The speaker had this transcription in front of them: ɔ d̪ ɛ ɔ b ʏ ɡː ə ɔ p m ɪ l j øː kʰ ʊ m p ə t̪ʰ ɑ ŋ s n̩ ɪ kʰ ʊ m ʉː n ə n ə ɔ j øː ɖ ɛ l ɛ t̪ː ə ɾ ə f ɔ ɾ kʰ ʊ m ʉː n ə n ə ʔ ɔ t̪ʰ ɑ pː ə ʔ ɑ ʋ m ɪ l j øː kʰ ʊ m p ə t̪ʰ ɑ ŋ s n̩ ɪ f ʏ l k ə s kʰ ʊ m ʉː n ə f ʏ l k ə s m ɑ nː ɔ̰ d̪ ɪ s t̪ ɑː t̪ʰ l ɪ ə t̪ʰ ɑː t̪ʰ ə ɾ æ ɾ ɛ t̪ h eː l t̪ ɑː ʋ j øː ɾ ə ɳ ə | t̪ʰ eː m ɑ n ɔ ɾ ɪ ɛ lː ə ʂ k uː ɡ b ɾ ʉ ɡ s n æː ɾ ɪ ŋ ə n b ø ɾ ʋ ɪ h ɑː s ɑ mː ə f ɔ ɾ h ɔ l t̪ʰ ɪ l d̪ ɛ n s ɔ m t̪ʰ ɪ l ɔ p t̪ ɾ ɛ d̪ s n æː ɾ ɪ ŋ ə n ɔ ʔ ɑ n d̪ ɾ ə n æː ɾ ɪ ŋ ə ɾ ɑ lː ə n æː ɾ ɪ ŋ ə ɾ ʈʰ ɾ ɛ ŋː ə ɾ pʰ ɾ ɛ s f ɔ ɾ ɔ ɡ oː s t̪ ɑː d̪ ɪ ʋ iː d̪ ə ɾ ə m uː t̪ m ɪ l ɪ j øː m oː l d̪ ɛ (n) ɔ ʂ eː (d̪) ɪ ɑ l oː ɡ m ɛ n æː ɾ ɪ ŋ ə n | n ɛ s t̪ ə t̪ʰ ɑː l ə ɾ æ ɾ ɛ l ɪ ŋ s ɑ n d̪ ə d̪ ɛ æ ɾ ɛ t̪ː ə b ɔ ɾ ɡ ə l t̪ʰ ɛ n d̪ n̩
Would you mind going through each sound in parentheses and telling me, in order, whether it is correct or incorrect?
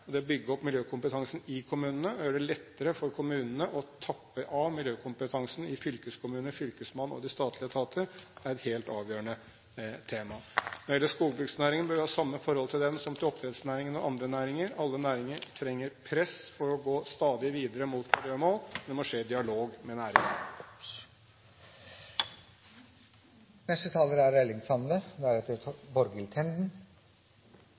incorrect: m, correct

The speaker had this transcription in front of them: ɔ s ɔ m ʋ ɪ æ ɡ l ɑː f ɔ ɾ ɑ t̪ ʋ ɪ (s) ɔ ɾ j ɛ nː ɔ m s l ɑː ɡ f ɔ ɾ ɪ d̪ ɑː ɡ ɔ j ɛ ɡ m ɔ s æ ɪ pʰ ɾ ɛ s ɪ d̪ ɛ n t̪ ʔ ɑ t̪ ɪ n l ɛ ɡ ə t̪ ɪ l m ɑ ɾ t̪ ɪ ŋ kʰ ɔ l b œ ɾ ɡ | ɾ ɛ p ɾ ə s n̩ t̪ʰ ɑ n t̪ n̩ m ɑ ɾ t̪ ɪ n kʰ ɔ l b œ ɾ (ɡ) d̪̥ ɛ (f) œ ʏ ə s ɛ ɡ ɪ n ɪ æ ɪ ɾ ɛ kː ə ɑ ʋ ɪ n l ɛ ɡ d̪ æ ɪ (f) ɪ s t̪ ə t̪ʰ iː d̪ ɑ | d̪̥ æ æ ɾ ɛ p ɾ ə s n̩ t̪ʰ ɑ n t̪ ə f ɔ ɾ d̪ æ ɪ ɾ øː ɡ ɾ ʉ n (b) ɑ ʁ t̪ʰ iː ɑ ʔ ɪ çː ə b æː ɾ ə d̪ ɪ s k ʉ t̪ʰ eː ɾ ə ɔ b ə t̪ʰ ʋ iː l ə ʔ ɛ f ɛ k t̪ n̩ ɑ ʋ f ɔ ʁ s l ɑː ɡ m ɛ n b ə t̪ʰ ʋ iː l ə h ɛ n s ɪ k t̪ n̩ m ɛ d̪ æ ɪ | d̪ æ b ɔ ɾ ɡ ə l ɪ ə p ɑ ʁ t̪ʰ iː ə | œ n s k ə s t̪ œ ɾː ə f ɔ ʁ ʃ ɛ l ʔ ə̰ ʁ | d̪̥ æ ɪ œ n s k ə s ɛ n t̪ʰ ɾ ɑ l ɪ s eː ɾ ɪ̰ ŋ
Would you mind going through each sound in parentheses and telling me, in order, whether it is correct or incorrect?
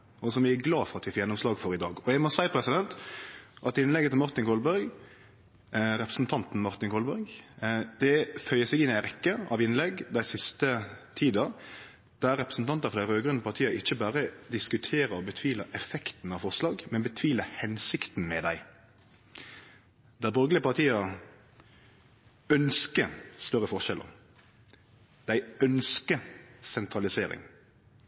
incorrect: f, correct, correct, incorrect: s, incorrect: p

